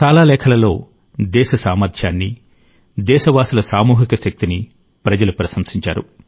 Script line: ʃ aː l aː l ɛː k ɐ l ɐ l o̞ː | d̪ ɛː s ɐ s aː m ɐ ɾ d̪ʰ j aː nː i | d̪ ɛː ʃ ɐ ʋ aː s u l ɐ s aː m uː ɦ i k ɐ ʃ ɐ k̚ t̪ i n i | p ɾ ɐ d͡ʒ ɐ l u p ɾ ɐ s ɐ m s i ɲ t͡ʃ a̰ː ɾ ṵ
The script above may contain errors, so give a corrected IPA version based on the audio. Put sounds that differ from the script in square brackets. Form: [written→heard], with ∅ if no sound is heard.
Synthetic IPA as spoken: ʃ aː l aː l ɛː [k→kʰ] ɐ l ɐ l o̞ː | d̪ ɛː [s→ʃ] ɐ s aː m ɐ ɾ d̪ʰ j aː nː i | d̪ ɛː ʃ ɐ ʋ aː s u l ɐ s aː m uː ɦ i k ɐ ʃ ɐ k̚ t̪ i n i | p ɾ ɐ d͡ʒ ɐ l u p ɾ ɐ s ɐ m s i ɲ t͡ʃ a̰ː ɾ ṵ